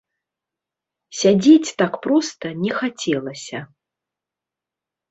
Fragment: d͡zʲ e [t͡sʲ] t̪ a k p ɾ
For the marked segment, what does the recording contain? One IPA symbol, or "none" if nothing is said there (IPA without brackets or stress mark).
t͡sʲ